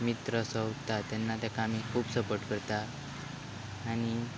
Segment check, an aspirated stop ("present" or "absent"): present